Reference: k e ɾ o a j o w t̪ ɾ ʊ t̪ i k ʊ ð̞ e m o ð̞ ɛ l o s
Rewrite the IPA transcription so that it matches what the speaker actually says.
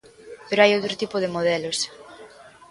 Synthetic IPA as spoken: p e ɾ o a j o w t̪ ɾ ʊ t̪ i p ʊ ð̞ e m o ð̞ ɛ l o s